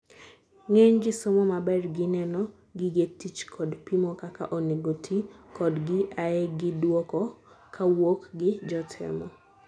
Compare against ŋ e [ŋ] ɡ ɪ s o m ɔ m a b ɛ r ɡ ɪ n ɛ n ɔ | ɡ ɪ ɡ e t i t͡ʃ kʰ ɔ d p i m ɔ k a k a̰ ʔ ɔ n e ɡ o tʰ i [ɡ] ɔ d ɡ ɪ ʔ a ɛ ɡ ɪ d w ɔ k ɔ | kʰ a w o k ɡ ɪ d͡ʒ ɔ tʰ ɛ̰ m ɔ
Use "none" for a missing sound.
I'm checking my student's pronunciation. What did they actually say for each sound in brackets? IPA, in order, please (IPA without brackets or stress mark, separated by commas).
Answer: ɲ, k